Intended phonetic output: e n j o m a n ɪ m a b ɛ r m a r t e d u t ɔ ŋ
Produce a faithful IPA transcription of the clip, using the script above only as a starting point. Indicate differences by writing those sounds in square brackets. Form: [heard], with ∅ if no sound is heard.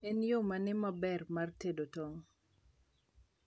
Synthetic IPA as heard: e n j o m a n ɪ m a b ɛ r m a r t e d [o] t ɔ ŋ